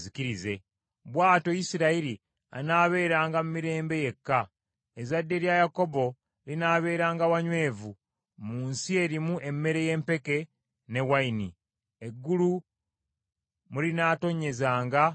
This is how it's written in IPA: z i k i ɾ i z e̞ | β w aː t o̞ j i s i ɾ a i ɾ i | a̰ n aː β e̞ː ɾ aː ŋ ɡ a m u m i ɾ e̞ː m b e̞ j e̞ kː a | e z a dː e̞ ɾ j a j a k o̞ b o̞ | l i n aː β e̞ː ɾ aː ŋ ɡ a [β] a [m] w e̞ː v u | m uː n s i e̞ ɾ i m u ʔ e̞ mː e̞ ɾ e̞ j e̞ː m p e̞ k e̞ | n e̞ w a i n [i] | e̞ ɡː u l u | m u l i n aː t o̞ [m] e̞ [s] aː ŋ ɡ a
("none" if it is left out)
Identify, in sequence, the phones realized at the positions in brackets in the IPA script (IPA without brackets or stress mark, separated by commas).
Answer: w, ɲ, i, ɲ, z